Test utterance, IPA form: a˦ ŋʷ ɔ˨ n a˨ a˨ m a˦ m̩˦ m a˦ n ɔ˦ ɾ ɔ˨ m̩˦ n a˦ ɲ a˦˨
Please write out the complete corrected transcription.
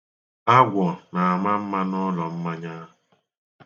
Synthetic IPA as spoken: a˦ ɡʷ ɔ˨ n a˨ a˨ m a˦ m̩˦ m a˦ n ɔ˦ l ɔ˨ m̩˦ m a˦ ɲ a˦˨